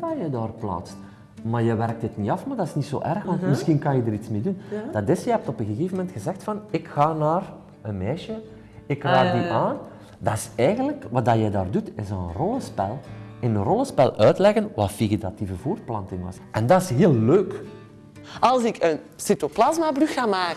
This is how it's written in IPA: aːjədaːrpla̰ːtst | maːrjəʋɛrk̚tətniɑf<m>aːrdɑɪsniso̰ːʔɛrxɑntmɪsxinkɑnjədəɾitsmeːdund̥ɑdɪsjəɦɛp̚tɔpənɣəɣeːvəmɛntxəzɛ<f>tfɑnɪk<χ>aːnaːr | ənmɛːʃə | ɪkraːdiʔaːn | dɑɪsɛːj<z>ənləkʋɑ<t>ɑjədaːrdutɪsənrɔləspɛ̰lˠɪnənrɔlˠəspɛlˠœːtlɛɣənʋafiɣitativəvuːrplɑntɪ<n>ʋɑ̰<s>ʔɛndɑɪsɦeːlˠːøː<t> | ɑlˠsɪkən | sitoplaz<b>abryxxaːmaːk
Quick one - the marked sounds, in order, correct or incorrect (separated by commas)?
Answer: correct, incorrect, incorrect, incorrect, incorrect, incorrect, correct, incorrect, incorrect